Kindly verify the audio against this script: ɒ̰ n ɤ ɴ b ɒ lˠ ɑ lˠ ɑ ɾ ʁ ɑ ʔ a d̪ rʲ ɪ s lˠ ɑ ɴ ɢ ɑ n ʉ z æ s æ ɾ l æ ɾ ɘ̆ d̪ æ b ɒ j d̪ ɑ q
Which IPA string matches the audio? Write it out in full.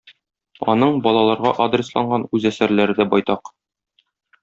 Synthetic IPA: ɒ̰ n ɤ ɴ b ɒ lˠ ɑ lˠ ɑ ɾ ʁ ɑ ʔ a d̪ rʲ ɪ s lˠ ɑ ɴ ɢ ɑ n ʉ z æ s æ ɾ l æ ɾ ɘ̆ d̪ æ b ɒ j t̪ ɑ q